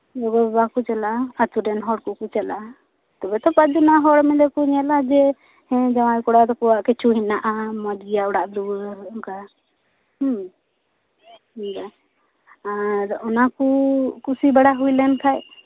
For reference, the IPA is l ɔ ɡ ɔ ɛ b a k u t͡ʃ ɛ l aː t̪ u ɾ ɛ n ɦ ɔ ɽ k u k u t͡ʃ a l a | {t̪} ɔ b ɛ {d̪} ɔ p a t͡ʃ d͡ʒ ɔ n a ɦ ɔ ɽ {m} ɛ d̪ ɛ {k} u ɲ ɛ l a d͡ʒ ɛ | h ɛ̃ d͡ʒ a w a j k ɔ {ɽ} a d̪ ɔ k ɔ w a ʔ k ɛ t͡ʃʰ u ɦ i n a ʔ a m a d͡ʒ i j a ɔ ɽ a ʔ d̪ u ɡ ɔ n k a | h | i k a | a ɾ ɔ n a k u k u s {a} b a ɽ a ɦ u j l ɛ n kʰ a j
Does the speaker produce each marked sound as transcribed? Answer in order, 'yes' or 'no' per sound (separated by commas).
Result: yes, no, yes, yes, yes, no